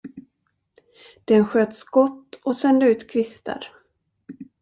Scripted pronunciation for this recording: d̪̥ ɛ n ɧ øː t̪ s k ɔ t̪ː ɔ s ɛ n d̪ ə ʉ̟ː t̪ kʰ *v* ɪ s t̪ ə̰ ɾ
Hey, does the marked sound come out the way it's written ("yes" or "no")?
yes